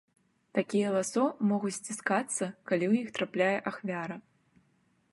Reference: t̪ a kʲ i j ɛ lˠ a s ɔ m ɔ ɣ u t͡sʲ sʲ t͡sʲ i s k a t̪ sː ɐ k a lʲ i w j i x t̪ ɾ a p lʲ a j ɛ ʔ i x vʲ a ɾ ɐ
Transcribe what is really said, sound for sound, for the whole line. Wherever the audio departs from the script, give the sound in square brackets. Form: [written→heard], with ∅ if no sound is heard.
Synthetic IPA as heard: t̪ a kʲ i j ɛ lˠ a s ɔ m ɔ ɣ u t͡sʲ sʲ t͡sʲ i s k a t̪ sː ɐ k a lʲ i w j i x t̪ ɾ a p lʲ a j ɛ ʔ [i→a] x vʲ a ɾ ɐ